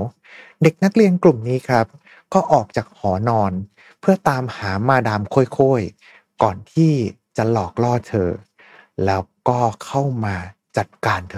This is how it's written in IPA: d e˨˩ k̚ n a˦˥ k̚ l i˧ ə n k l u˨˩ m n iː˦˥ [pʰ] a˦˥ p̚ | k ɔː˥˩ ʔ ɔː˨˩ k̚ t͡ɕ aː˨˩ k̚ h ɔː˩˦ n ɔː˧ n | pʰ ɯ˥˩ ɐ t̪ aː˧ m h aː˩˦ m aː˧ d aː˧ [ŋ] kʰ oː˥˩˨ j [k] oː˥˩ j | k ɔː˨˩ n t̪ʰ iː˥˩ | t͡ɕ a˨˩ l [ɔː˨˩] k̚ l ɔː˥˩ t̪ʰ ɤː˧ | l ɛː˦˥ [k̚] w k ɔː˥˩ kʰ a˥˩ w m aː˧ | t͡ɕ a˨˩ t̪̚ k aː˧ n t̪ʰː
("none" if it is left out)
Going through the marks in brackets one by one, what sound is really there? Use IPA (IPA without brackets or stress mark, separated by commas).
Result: kʰ, m, kʰ, ɔː˨˩, none